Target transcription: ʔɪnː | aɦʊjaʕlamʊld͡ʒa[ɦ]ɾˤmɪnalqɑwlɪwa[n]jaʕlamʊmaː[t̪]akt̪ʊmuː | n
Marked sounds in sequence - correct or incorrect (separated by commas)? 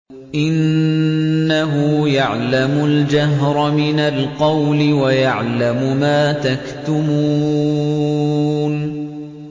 correct, incorrect, correct